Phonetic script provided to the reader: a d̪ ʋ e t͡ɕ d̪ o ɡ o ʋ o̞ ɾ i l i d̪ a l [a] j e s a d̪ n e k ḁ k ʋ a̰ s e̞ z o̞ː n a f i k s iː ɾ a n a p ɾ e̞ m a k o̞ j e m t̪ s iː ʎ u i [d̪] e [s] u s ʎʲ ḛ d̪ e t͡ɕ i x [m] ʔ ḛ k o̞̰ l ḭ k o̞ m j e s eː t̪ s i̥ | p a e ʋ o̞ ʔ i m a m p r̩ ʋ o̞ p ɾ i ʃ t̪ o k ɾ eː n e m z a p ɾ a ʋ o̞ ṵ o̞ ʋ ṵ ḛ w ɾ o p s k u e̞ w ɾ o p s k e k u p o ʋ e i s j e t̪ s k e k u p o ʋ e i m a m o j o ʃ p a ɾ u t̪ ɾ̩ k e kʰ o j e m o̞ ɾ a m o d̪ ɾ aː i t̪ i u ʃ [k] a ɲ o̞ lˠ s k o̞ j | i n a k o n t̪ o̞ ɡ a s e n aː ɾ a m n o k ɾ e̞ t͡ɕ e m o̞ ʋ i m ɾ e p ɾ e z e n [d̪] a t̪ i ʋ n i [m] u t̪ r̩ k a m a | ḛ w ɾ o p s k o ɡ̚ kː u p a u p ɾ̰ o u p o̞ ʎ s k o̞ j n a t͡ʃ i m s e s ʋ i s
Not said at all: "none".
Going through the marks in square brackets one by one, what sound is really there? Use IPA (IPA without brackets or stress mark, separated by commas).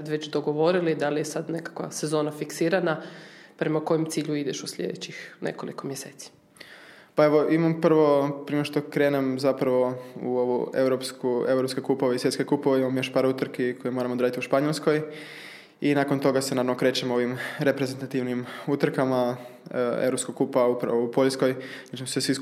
i, d̪, ʃ, n, p, t̪, m